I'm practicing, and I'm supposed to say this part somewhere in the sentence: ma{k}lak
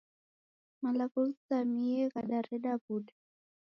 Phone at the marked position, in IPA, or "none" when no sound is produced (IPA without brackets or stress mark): none